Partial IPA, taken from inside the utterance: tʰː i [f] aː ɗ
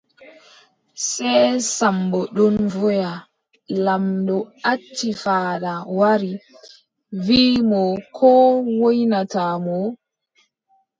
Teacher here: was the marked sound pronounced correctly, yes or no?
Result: yes